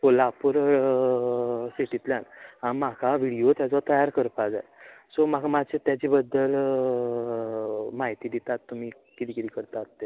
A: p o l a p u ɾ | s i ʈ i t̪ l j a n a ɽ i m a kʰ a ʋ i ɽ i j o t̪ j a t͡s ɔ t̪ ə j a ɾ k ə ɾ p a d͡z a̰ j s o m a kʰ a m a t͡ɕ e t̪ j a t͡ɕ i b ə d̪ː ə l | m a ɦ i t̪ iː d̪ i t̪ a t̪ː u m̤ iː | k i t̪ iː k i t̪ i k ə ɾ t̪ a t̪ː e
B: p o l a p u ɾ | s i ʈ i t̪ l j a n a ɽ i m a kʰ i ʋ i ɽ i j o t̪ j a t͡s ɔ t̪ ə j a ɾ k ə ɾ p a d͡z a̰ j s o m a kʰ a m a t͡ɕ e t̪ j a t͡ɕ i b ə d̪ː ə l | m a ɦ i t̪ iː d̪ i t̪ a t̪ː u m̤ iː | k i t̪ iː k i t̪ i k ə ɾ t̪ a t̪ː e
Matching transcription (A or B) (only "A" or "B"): A